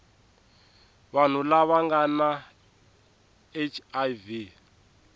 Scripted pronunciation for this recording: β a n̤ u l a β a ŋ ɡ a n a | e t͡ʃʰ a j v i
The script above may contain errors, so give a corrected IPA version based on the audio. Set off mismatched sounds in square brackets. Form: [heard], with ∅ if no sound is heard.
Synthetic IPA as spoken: β a n̤ u l a β a ŋ ɡ a n a | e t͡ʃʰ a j v i